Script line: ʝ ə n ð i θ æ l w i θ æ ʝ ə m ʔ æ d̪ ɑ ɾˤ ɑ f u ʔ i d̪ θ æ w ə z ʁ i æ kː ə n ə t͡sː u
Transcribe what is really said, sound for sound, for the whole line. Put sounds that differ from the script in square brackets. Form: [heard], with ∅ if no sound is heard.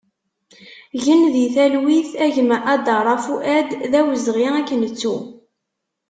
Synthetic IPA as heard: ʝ ə n ð i θ æ l w i θ æ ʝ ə m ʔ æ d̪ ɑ ɾˤ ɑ f u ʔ [æ] d̪ [ð] æ w ə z ʁ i æ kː ə n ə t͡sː u